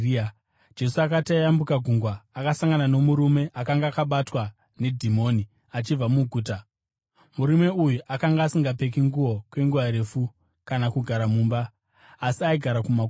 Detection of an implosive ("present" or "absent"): present